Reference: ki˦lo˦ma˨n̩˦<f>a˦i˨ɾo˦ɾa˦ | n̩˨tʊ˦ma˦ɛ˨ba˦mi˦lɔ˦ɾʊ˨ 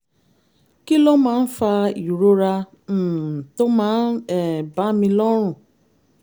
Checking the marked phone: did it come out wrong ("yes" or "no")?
no